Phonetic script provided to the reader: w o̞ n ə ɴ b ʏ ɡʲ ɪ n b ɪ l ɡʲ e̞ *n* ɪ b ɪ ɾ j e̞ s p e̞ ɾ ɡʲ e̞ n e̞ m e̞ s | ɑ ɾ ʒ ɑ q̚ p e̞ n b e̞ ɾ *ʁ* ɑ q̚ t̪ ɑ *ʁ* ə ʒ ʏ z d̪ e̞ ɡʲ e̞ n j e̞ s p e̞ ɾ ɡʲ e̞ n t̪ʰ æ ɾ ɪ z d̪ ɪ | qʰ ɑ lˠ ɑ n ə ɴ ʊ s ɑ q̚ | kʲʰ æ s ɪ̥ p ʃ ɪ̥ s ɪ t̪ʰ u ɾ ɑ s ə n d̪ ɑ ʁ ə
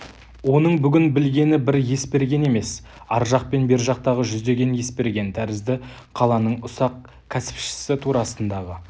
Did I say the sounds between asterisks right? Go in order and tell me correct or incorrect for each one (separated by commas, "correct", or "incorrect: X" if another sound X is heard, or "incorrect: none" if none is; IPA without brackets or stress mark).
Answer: correct, incorrect: ʒ, correct